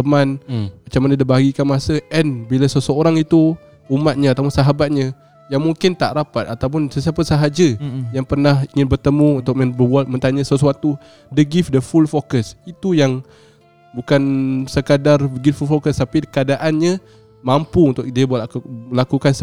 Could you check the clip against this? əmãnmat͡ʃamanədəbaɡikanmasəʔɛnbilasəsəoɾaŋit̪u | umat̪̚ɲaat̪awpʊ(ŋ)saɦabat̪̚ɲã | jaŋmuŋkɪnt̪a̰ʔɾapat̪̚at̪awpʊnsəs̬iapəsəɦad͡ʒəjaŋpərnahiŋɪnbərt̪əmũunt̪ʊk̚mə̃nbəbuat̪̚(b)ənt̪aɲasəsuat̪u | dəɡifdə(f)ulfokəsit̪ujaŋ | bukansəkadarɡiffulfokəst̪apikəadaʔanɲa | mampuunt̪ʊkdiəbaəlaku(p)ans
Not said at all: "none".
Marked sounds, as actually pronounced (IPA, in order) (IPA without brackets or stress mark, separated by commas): n, m, f, k